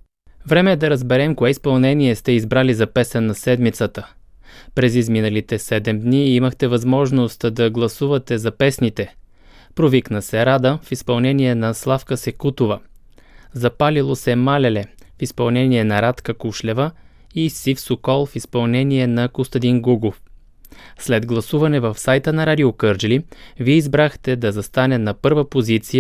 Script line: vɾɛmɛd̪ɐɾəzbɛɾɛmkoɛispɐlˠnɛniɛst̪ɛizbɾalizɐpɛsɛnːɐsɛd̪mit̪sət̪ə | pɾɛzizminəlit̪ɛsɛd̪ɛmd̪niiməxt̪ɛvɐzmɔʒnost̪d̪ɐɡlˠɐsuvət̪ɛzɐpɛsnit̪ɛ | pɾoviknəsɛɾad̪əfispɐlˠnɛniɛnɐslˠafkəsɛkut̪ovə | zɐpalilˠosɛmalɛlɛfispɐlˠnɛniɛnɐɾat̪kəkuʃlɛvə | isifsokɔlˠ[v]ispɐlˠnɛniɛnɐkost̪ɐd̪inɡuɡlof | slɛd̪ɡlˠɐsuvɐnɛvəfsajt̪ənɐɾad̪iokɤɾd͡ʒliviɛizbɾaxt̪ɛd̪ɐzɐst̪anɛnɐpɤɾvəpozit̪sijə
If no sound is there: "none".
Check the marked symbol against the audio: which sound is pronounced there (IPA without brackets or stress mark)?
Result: f